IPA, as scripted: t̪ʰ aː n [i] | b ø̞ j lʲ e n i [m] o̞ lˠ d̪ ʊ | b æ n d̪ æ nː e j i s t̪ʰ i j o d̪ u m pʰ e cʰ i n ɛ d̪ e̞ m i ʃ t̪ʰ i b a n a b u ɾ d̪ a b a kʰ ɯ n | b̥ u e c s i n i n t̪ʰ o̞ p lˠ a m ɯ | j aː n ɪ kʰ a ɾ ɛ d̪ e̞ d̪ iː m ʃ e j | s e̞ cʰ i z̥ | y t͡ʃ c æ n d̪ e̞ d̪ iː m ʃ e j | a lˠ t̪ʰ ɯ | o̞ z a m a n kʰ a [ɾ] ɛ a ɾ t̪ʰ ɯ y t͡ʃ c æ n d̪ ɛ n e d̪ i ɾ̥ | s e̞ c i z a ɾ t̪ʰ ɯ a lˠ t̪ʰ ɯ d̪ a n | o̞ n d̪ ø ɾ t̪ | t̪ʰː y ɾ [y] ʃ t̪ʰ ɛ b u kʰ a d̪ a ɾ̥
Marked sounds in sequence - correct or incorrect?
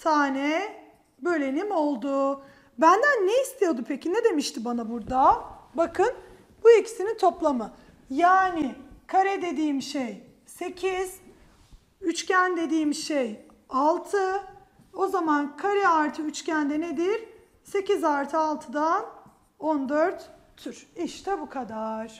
incorrect, correct, correct, incorrect

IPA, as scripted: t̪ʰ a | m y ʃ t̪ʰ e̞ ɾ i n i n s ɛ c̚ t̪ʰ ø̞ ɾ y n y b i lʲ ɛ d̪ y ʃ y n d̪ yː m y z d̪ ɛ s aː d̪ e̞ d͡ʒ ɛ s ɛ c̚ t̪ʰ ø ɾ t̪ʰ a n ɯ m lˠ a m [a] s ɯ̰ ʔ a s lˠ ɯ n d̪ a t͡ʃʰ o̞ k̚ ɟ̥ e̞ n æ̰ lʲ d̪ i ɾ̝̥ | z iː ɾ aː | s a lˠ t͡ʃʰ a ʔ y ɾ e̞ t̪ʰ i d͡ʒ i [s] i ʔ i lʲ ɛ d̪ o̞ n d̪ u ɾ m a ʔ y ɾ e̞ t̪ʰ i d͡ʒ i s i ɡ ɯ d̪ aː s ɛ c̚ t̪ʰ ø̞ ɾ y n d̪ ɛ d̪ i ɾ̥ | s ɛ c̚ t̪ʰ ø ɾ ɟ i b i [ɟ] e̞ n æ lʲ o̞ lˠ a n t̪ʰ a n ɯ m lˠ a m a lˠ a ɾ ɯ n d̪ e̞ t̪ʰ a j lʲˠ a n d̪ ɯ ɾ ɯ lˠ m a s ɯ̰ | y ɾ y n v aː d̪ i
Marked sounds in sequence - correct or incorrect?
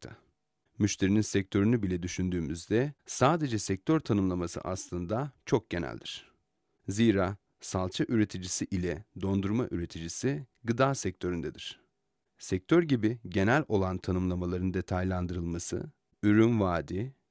correct, correct, correct

